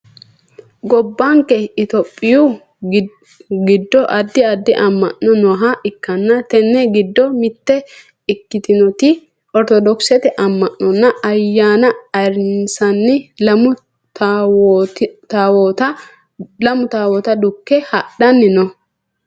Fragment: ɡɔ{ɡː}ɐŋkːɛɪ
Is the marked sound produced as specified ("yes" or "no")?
no